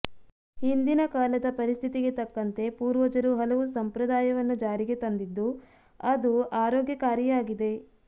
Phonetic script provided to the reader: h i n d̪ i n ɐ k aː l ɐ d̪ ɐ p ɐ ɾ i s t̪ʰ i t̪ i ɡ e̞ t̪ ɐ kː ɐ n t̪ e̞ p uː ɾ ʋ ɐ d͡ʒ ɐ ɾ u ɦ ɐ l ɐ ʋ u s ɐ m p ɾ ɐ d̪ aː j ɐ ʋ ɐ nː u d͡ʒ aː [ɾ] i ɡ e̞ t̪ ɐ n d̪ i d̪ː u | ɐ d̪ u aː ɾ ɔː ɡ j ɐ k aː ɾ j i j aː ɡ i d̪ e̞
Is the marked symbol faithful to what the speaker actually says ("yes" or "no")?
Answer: yes